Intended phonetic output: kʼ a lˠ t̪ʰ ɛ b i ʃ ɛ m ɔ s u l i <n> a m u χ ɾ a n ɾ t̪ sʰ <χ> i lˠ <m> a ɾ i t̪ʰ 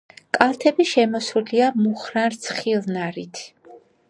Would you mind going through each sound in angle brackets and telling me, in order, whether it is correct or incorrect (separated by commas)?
incorrect, correct, incorrect